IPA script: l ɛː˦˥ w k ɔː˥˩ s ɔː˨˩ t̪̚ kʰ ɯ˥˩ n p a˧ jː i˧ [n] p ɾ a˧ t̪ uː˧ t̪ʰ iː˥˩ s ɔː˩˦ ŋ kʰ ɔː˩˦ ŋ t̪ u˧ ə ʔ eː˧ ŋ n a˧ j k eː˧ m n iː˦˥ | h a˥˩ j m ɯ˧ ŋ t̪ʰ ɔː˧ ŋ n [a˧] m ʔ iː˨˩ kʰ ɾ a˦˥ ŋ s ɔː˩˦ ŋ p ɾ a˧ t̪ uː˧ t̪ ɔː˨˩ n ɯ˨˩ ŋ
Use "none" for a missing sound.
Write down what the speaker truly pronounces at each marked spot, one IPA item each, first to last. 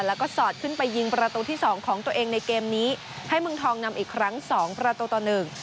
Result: ŋ, a˧

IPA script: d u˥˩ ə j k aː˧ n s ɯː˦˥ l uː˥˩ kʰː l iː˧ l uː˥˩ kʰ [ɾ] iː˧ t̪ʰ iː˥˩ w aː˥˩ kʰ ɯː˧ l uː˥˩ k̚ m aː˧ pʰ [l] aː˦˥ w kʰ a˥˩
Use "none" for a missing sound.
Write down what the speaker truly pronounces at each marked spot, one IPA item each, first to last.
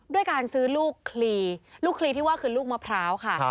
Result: l, ɾ

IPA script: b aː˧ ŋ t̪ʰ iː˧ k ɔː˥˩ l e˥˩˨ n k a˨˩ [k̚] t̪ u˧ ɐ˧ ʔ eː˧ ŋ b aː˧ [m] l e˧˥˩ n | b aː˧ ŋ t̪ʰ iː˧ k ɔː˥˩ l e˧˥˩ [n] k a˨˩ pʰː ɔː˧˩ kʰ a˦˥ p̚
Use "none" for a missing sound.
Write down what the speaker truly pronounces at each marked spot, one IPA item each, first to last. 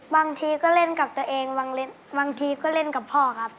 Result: p̚, ŋ, n

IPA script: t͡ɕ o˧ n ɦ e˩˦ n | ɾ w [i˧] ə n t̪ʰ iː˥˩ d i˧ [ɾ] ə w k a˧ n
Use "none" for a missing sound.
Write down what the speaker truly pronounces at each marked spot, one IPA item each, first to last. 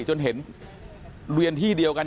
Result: i˧, none

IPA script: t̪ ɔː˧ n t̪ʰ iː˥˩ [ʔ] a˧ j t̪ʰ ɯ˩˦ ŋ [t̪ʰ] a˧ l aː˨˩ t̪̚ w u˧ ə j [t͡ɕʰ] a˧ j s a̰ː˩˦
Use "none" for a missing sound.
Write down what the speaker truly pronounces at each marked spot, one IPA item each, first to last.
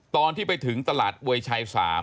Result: p, t̪, t͡ɕʰ

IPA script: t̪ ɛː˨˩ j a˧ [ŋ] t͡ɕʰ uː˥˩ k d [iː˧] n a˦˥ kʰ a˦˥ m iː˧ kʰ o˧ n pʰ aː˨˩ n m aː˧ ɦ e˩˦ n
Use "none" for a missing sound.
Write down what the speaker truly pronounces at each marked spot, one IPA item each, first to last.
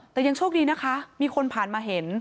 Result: ŋ, iː˧

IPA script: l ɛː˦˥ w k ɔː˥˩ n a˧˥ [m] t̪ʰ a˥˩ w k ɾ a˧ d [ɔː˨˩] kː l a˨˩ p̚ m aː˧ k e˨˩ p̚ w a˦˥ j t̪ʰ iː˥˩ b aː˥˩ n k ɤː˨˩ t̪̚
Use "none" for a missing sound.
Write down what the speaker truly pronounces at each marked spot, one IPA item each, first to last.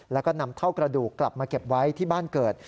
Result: m, uː˨˩

